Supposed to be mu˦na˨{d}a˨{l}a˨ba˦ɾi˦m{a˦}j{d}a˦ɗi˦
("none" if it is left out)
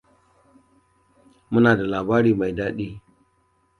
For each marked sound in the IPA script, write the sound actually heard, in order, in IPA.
d, l, a˨, d

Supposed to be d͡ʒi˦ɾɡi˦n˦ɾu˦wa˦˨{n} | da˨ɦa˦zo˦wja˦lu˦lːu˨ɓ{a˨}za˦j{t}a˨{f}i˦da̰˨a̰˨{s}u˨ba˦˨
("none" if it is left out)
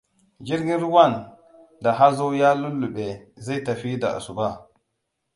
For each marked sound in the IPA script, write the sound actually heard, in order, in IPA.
n, e˨, t, f, s

